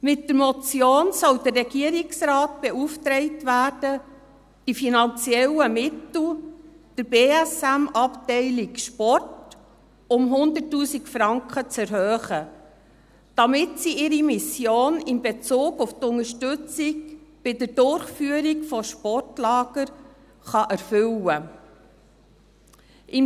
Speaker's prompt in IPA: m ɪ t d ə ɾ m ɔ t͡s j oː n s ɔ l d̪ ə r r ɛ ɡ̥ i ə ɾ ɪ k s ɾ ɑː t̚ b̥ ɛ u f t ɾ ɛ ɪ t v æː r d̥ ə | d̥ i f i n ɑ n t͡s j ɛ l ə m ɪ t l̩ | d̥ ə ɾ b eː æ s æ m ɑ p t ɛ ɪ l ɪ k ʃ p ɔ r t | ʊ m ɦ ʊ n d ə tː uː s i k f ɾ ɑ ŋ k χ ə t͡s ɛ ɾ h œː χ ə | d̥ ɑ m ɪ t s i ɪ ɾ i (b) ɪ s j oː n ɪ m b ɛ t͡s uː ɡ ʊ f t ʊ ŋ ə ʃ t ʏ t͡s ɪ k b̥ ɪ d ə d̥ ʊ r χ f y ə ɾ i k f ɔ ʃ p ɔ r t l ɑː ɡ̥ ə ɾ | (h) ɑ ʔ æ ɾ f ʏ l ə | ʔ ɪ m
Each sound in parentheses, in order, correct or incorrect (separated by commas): incorrect, incorrect